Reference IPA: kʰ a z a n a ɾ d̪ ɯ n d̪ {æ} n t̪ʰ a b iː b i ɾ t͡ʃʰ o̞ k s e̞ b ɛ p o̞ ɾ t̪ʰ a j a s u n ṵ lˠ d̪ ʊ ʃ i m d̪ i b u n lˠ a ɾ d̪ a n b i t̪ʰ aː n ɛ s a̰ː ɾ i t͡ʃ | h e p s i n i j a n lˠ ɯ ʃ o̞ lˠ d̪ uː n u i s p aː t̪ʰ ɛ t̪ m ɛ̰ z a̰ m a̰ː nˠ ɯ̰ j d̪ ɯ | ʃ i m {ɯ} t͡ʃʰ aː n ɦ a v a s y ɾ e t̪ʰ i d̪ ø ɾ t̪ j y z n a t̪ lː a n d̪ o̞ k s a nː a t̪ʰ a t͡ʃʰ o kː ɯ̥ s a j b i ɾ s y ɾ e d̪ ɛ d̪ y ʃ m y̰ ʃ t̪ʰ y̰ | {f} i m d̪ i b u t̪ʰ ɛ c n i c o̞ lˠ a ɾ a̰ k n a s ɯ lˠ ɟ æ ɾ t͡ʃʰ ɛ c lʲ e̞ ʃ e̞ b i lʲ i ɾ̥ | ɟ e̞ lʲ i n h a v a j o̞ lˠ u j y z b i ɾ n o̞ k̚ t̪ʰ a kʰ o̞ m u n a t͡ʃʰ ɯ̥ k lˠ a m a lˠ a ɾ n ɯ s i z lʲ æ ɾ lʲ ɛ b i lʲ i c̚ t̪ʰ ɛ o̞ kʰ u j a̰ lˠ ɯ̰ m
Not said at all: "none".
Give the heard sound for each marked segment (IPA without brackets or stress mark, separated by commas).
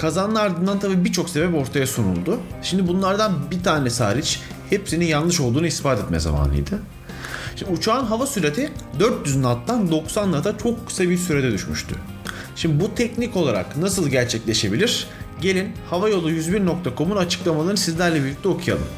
a, u, ʃ